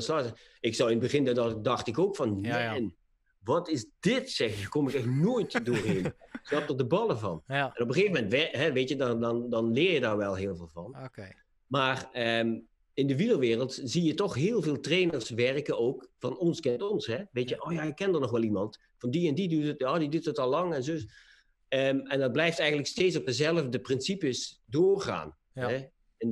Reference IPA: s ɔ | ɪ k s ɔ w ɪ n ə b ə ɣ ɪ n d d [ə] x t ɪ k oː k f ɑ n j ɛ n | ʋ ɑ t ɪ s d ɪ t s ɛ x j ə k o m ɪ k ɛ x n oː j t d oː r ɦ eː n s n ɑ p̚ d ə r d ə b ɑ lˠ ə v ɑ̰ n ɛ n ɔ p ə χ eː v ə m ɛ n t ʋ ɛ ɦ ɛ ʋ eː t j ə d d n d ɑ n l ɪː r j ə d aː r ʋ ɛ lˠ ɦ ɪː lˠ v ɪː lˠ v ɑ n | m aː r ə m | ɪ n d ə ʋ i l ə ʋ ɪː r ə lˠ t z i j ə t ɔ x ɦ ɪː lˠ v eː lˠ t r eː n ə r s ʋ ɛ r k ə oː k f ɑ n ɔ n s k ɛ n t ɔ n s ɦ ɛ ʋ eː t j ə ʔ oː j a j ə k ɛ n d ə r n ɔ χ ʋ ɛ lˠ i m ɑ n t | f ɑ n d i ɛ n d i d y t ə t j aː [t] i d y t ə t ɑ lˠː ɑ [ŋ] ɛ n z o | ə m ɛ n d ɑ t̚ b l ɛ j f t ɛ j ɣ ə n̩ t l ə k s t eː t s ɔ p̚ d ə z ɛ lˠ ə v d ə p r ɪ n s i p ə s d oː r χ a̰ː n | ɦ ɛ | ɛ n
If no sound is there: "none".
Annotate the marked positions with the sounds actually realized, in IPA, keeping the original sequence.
ɑ, d, ŋ

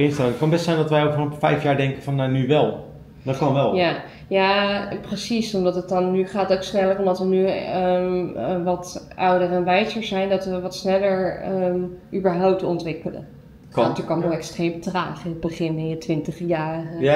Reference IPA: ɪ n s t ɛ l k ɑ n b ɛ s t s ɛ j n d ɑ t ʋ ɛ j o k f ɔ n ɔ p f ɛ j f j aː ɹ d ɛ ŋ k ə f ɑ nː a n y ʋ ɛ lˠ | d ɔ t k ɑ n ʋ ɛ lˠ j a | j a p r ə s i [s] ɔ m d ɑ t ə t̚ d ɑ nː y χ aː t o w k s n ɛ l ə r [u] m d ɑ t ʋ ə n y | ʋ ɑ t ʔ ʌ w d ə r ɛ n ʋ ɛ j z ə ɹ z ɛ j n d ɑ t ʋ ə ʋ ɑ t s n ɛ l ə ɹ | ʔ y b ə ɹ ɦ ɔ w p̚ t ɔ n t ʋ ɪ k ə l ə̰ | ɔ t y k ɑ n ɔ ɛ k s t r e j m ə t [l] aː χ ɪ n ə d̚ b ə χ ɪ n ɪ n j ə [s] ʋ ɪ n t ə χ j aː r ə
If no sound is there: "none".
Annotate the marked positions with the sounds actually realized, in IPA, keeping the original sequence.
s, ɔ, r, t

